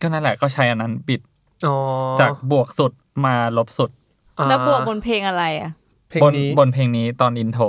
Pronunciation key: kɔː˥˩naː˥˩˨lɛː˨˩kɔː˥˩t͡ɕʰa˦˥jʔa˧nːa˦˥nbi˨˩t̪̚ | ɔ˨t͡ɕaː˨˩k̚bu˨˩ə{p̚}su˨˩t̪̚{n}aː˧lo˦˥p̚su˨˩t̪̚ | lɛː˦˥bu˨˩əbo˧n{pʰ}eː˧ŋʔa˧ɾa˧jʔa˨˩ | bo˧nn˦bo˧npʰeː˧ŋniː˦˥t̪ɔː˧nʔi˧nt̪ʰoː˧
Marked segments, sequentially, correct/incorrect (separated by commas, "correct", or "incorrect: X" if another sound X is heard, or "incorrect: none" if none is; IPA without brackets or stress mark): incorrect: k̚, incorrect: m, correct